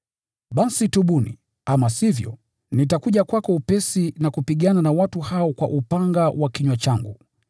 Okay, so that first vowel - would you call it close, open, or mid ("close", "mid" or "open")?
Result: open